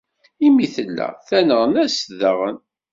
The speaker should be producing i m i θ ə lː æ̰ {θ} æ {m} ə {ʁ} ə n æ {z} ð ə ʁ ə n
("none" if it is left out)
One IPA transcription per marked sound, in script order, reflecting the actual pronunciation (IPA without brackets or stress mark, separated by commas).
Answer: θ, n, ʁ, s